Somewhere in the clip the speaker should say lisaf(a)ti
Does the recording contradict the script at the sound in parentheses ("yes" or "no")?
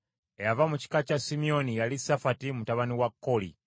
no